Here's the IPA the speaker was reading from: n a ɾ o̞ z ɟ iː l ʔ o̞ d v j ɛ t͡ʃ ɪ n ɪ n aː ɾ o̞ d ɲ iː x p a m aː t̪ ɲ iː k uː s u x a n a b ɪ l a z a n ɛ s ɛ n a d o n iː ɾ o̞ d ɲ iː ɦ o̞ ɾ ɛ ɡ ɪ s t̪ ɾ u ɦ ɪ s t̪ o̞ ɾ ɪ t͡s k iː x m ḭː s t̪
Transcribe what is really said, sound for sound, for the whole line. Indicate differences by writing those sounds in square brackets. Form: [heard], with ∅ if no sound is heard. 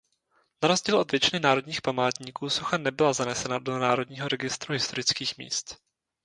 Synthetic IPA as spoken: n a ɾ o̞ z ɟ iː l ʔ o̞ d v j ɛ t͡ʃ ɪ n ɪ n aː ɾ o̞ d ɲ iː x p a m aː t̪ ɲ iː k uː s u x a n [ɛ] b ɪ l a z a n ɛ s ɛ n a d o n [aː] ɾ o̞ d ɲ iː ɦ o̞ ɾ ɛ ɡ ɪ s t̪ ɾ u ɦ ɪ s t̪ o̞ ɾ ɪ t͡s k iː x m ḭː s t̪